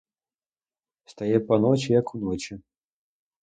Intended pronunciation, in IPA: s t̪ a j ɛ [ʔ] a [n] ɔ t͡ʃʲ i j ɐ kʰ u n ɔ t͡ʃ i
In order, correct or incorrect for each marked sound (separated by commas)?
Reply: incorrect, correct